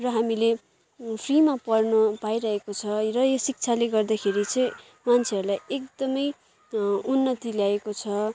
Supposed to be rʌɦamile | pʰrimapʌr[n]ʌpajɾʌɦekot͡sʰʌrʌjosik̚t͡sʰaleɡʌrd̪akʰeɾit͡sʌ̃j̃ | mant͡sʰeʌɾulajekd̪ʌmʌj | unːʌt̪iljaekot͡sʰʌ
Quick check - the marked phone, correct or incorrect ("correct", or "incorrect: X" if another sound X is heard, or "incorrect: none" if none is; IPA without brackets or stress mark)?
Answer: correct